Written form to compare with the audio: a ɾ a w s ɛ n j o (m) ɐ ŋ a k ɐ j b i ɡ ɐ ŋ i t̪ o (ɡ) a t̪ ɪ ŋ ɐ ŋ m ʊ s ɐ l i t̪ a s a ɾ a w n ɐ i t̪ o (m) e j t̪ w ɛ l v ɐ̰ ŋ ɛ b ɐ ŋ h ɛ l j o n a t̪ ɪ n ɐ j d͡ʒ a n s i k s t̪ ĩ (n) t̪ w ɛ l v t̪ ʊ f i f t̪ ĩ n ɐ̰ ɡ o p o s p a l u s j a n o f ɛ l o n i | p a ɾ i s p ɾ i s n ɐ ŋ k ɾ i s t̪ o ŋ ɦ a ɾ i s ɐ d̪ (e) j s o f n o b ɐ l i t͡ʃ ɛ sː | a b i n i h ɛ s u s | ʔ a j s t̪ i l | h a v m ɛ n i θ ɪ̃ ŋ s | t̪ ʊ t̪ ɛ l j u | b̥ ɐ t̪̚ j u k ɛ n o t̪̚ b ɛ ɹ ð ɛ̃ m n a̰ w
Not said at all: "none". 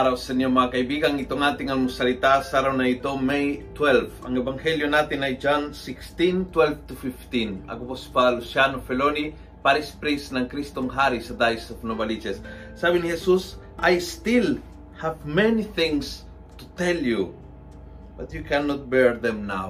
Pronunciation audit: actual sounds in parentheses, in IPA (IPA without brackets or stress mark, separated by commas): m, ŋ, m, n, a